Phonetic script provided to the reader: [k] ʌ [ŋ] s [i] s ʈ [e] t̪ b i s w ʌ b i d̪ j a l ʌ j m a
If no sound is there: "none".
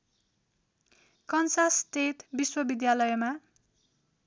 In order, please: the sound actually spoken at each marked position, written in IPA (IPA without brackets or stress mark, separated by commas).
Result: k, n, a, e